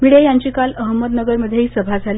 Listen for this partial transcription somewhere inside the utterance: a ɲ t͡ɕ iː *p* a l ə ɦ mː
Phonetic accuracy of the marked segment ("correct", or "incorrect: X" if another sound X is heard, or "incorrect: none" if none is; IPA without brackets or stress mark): incorrect: k